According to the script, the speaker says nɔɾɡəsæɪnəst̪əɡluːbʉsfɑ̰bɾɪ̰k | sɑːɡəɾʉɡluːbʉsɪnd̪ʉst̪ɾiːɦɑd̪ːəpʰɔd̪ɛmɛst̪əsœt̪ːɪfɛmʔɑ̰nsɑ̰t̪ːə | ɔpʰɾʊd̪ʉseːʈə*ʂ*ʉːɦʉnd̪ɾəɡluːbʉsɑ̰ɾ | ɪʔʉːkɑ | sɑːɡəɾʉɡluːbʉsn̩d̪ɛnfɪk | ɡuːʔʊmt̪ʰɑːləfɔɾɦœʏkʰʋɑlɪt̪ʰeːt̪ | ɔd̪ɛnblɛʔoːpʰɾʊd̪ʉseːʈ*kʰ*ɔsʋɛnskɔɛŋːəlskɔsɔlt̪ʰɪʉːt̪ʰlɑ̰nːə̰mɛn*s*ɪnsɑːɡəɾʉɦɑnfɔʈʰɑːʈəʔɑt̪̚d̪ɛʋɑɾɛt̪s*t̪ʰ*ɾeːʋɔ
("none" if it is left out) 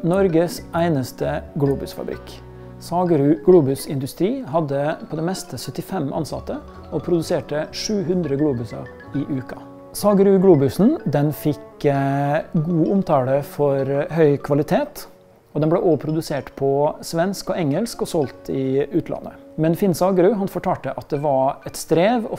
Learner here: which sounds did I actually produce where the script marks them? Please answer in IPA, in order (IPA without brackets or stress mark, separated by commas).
ʂ, pʰ, f, t̪